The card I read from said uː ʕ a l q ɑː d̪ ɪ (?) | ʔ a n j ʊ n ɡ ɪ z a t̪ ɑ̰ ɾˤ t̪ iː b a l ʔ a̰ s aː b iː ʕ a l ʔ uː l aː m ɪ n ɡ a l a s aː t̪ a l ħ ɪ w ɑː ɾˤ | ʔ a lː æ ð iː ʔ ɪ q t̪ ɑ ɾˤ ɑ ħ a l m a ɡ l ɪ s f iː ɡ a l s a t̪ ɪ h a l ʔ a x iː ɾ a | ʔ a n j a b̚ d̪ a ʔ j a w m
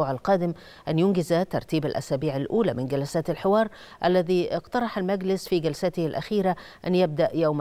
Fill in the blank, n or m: m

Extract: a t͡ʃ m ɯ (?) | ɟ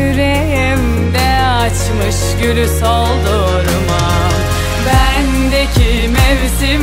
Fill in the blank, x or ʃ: ʃ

